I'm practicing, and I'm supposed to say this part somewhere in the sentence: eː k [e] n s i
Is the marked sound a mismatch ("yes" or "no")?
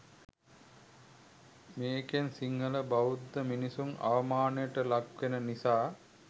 no